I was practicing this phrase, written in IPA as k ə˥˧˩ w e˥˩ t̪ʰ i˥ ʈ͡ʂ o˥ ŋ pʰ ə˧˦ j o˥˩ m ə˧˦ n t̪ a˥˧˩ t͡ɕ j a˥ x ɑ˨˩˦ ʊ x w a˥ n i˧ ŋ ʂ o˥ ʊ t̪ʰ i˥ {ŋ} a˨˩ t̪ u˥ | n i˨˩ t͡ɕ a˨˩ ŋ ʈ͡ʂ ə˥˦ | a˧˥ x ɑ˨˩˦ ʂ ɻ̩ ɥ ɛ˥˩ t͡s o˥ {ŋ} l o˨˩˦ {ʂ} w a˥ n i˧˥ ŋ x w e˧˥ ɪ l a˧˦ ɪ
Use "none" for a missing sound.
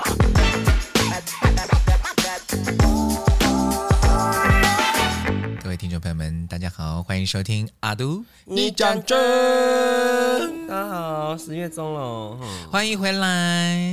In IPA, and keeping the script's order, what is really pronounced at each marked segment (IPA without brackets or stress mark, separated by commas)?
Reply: ŋ, ŋ, x